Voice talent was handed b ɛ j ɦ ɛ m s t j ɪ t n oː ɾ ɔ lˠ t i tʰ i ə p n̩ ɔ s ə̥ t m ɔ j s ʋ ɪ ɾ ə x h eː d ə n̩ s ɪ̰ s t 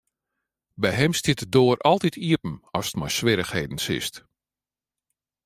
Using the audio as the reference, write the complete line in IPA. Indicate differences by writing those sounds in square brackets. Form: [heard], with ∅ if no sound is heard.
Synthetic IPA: b ɛ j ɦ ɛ m s t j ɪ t [d] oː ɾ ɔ lˠ t i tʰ i ə p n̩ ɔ s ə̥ t m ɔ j s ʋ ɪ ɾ ə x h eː d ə n̩ s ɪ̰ s t